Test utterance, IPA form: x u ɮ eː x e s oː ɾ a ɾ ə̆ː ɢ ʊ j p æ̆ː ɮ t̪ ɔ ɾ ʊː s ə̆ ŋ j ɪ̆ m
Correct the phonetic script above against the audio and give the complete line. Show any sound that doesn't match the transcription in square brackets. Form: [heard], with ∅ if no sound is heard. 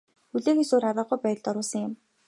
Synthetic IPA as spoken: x u ɮ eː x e s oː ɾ a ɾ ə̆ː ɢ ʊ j p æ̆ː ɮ t̪ ɔ ɾ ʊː s ə̆ ŋ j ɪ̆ m